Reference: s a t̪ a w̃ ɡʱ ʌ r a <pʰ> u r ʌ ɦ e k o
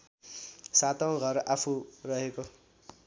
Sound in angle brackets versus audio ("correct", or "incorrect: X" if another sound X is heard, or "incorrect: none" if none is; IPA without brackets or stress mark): correct